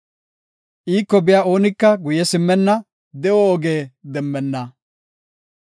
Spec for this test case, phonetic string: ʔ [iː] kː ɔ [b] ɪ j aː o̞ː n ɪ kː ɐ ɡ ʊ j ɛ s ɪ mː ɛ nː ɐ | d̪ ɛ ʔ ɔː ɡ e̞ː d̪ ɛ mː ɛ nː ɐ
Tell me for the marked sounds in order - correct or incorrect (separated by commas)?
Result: correct, correct